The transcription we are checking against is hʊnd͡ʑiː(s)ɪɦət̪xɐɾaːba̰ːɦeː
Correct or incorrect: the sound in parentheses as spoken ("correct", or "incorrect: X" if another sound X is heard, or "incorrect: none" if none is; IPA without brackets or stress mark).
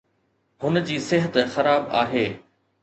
correct